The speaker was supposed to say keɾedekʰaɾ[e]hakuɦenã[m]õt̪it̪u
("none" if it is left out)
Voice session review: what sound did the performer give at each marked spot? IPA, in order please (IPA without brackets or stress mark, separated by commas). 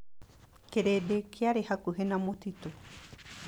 e, m